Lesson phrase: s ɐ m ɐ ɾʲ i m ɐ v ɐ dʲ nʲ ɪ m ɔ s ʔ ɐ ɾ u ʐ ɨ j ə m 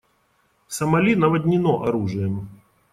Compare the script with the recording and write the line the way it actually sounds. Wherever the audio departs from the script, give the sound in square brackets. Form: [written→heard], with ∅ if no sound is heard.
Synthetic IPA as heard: s ɐ m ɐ [ɾʲ→lʲ] i [m→n] ɐ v ɐ dʲ nʲ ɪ [m→n] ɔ [s→∅] ʔ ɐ ɾ u ʐ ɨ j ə m